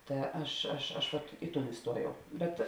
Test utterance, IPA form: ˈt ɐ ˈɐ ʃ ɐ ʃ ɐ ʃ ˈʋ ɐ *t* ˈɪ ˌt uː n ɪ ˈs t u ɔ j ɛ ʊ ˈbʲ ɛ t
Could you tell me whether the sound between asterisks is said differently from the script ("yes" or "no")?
no